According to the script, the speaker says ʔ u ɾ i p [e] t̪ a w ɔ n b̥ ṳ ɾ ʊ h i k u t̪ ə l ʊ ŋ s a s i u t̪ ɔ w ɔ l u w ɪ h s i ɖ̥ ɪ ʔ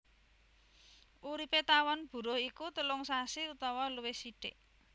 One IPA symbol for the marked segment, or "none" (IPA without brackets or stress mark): e